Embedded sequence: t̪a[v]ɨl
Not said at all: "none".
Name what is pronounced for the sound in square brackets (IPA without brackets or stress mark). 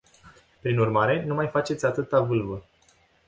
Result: v